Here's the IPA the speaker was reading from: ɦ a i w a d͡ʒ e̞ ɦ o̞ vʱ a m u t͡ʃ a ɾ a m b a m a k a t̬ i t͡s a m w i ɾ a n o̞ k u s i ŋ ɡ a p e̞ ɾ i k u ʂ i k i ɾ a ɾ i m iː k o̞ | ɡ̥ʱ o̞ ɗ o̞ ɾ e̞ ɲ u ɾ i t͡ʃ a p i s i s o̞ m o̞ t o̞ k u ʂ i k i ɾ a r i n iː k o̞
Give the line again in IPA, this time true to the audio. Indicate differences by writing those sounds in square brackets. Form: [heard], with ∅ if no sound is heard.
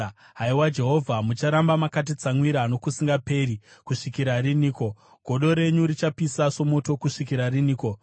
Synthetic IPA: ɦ a i w a d͡ʒ e̞ ɦ o̞ vʱ a m u t͡ʃ a ɾ a m b a m a k a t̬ i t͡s a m w i ɾ a n o̞ k u s i ŋ ɡ a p e̞ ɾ i k u ʂ i k i ɾ a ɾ i [n] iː k o̞ | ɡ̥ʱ o̞ ɗ o̞ ɾ e̞ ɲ u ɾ i t͡ʃ a p i s [a] s o̞ m o̞ t o̞ k u ʂ i k i ɾ a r i n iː k o̞